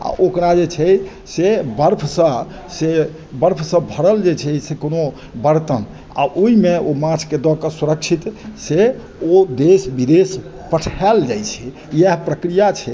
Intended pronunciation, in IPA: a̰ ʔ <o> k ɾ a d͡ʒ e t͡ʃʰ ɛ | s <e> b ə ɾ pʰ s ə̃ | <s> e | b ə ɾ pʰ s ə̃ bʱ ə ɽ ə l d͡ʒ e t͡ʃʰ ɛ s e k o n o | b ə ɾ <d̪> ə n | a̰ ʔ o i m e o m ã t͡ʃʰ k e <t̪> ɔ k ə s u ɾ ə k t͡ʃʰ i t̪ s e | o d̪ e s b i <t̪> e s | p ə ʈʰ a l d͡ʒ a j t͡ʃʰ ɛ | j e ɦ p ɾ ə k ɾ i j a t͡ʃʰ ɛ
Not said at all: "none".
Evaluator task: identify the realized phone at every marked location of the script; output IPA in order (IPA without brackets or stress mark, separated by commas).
o, e, s, t̪, d̪, d̪